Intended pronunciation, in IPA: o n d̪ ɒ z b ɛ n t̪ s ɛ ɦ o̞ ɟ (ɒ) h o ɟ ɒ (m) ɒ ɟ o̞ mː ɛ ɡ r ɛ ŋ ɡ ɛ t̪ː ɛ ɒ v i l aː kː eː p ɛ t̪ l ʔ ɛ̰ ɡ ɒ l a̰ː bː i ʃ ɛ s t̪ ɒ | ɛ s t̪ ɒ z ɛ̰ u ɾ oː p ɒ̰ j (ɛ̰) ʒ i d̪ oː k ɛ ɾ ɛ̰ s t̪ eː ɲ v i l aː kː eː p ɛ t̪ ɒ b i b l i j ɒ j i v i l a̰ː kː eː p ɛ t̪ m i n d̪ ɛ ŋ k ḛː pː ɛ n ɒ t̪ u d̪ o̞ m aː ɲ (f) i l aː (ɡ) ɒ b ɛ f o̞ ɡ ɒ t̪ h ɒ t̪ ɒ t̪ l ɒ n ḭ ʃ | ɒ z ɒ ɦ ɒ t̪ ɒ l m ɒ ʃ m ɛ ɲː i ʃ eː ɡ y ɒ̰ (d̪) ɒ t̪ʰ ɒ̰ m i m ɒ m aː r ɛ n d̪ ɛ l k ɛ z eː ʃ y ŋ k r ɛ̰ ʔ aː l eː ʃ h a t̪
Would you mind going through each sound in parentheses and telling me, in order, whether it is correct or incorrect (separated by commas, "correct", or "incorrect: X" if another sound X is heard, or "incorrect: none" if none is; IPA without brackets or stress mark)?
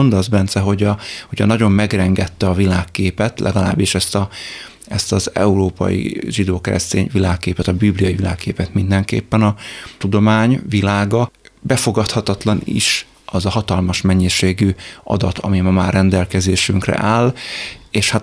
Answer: correct, incorrect: n, incorrect: ḭ, incorrect: v, correct, correct